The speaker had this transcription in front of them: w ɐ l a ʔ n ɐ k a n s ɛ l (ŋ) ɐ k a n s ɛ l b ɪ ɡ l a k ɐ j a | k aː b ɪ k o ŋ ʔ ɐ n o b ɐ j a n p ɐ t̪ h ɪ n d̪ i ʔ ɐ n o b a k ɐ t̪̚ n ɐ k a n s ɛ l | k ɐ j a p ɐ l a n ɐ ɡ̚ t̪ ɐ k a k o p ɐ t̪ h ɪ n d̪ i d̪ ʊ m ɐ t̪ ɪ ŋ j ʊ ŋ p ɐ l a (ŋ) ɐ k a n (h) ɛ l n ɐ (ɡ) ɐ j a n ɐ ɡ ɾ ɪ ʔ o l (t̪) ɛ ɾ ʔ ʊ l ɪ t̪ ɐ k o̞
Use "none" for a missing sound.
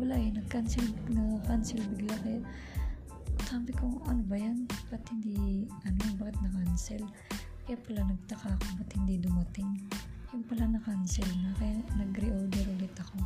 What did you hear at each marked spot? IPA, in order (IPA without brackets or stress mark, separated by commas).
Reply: n, n, s, k, d̪